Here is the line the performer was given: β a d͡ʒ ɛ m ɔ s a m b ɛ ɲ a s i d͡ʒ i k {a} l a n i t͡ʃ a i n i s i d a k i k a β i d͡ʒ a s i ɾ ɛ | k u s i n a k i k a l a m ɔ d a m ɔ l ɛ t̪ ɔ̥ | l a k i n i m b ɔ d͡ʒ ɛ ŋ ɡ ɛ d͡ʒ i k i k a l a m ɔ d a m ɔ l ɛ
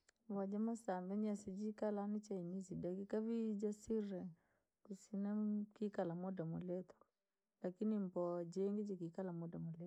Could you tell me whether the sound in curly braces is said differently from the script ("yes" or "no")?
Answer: no